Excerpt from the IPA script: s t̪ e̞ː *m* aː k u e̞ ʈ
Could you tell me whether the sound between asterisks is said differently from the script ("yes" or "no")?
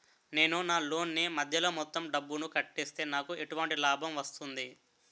yes